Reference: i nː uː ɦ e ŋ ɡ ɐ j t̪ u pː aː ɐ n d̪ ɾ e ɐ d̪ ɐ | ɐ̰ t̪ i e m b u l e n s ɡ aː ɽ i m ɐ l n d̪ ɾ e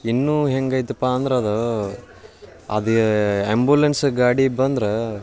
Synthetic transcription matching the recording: i nː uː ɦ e ŋ ɡ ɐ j t̪ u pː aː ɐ n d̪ ɾ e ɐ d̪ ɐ | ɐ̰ d̪ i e m b u l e n s ɡ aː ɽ i b ɐ n d̪ ɾ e